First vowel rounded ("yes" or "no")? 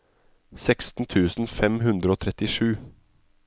no